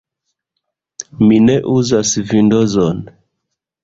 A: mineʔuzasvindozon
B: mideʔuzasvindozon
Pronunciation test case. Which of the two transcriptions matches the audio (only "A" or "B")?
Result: A